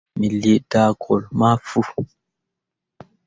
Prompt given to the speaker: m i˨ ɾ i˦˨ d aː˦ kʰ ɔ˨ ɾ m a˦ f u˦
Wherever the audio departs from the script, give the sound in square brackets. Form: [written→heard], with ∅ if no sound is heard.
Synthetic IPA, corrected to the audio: m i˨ [ɾ→l] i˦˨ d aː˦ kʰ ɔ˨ [ɾ→l] m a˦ f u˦